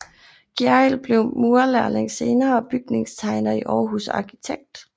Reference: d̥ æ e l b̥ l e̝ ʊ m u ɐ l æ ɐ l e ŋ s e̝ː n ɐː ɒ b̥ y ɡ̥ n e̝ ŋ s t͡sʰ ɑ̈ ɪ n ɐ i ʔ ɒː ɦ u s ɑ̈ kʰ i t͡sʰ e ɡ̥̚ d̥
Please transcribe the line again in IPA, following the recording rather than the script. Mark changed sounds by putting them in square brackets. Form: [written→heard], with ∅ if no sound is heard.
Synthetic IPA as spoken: [d̥→ɡ̥] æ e l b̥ l e̝ ʊ m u ɐ l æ ɐ l e ŋ s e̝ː n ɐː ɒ b̥ y ɡ̥ n e̝ ŋ s t͡sʰ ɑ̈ ɪ n ɐ i ʔ ɒː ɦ u s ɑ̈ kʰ i t͡sʰ e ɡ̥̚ d̥